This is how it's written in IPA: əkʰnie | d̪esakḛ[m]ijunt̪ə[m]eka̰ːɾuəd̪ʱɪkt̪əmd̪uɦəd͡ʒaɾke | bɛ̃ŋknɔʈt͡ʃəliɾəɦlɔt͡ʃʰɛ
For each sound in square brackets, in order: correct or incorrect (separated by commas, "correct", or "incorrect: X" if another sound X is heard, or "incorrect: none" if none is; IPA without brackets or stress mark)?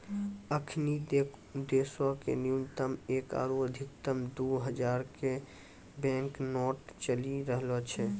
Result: incorrect: n, correct